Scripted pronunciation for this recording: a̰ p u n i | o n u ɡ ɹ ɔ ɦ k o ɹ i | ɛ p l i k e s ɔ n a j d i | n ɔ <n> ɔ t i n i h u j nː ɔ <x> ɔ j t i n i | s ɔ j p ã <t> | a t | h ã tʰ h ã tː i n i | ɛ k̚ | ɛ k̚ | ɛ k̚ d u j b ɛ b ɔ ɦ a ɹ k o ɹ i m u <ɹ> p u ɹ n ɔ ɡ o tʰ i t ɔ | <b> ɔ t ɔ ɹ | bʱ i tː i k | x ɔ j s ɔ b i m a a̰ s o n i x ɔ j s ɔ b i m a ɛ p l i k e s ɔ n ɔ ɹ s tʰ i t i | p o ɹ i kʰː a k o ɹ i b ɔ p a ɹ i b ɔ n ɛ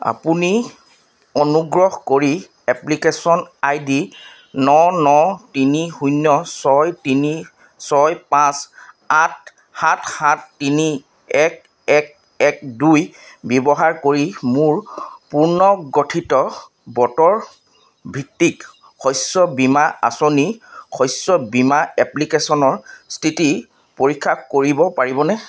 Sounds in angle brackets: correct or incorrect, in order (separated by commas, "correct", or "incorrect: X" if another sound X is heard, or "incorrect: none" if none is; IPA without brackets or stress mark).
correct, incorrect: s, incorrect: s, correct, correct